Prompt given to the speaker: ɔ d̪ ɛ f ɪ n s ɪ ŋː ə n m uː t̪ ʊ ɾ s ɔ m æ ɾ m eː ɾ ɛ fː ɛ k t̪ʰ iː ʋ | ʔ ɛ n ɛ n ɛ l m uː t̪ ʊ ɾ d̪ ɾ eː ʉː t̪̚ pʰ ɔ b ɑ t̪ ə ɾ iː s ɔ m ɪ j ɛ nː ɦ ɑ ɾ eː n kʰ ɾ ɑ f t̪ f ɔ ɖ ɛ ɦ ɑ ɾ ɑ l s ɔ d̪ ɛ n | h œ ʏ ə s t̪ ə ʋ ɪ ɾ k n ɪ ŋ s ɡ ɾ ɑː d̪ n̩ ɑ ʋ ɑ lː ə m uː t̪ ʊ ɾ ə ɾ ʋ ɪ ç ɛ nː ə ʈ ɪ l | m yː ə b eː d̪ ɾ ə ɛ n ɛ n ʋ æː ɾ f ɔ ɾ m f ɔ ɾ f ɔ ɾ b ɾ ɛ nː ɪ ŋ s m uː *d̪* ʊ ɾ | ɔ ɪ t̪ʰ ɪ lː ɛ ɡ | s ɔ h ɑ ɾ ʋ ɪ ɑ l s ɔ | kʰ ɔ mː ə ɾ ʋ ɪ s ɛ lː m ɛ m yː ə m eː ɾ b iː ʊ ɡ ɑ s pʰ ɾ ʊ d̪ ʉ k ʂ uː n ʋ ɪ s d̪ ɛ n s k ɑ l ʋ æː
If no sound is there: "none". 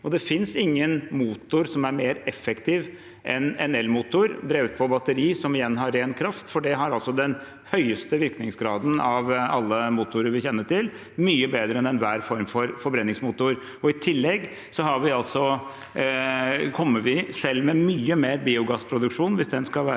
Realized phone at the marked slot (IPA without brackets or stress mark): t̪